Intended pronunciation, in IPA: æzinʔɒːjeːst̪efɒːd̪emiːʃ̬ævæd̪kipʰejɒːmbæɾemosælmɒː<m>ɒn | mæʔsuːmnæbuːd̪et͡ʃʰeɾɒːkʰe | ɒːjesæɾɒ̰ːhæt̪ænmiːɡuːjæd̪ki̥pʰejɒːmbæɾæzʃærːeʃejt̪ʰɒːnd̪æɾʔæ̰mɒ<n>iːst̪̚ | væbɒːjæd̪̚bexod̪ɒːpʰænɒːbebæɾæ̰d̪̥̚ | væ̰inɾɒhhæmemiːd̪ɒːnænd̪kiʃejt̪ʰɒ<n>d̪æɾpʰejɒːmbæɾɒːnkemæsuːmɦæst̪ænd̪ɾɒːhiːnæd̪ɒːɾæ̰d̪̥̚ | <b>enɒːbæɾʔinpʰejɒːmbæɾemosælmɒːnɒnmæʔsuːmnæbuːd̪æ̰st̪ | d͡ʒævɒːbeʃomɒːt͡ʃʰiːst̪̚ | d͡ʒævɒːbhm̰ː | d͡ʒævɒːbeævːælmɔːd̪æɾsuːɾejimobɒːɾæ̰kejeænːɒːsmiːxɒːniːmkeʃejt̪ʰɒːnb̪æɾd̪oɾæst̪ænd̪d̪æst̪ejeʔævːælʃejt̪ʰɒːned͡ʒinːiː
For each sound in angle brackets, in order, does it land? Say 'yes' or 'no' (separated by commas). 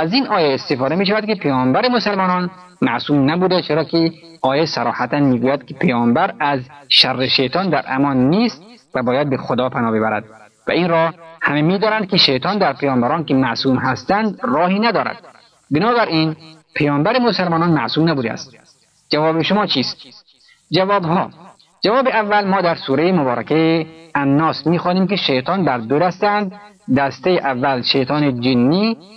no, no, yes, yes